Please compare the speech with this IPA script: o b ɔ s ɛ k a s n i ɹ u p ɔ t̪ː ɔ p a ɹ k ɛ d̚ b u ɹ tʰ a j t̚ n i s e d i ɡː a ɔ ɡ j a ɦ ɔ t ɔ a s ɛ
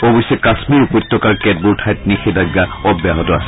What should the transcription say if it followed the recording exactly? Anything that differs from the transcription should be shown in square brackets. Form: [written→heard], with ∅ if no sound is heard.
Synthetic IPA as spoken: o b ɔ s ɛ k a s [n→m] i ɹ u p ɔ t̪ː ɔ [p→k] a ɹ k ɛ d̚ b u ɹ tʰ a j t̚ n i [s→x] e d [i→a] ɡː a ɔ [ɡ→b] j a ɦ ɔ t ɔ a s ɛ